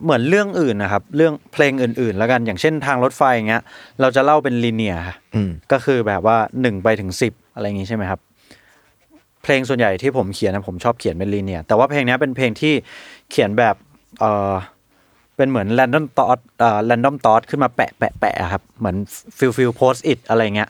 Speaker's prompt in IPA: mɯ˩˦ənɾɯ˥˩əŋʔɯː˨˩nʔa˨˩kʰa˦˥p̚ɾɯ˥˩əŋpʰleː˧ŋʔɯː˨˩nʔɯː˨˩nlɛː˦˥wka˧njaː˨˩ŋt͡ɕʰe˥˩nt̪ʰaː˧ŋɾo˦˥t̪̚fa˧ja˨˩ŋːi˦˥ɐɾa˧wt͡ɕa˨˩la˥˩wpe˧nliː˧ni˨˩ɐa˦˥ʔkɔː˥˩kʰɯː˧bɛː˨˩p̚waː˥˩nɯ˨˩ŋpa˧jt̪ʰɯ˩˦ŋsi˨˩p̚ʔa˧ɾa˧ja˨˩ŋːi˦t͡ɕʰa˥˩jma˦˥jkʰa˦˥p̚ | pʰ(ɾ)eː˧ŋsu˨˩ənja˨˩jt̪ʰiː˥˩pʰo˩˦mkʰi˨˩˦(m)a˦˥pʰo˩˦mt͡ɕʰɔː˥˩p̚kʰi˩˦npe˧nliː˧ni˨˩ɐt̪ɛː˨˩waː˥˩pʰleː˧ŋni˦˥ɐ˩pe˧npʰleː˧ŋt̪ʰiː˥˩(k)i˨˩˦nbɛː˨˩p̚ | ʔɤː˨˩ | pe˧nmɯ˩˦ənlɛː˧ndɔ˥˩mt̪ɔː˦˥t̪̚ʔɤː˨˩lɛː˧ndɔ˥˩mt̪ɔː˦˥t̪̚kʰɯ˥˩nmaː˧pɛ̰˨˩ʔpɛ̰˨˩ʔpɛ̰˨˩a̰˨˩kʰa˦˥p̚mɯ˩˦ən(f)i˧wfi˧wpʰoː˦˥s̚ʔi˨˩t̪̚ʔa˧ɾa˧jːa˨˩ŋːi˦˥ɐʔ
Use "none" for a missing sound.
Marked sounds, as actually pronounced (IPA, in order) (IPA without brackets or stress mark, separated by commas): l, n, kʰ, f